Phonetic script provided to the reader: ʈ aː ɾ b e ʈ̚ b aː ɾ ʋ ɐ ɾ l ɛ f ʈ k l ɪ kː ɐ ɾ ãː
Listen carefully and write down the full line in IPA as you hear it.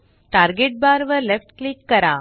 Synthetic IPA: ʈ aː ɾ ɡ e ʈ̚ b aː ɾ ʋ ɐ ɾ l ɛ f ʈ k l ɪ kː ɐ ɾ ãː